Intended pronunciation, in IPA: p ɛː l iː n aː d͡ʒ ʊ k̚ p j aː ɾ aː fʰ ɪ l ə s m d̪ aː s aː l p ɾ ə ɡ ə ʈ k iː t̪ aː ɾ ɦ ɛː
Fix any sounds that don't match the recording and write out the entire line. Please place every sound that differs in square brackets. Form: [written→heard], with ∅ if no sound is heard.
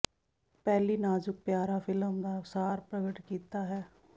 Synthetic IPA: p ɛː l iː n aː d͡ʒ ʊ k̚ p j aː ɾ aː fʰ ɪ l ə [s→∅] m d̪ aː s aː [l→ɾ] p ɾ ə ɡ ə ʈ k iː t̪ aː [ɾ→∅] ɦ ɛː